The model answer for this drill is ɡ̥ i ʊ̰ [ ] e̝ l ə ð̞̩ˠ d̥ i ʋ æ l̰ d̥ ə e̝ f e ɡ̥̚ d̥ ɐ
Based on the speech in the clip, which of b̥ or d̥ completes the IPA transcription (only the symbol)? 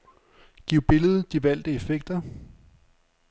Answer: b̥